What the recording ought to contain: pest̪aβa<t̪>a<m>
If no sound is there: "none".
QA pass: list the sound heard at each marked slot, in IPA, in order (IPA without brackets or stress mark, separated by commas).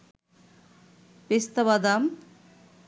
d̪, m